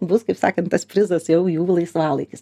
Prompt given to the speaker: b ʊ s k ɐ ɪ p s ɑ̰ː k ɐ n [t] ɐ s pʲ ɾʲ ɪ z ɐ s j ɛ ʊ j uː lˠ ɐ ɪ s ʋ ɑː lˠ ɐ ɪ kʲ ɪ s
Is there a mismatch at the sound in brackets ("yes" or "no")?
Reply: no